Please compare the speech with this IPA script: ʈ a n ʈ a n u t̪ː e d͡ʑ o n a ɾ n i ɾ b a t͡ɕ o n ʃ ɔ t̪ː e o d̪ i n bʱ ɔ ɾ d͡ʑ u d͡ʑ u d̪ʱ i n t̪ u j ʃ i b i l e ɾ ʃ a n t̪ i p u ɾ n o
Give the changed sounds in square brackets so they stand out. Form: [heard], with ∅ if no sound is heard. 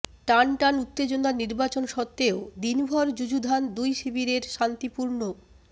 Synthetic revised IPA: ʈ a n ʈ a n u t̪ː e d͡ʑ o n a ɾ n i ɾ b a t͡ɕ o n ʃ ɔ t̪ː e o d̪ i n bʱ ɔ ɾ d͡ʑ u d͡ʑ u d̪ʱ [a] n [d̪] u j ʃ i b i [ɾ] e ɾ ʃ a n t̪ i p u ɾ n o